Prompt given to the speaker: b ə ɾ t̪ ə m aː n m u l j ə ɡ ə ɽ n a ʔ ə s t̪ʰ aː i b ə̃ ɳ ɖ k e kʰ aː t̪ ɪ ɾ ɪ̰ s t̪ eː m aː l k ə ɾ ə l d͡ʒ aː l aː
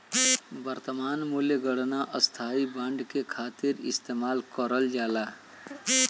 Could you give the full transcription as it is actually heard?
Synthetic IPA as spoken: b ə ɾ t̪ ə m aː n m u l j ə ɡ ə ɽ n a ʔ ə s t̪ʰ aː i b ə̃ ɳ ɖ k e kʰ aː t̪ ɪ ɾ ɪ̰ s t̪ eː m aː l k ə ɾ ə l d͡ʒ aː l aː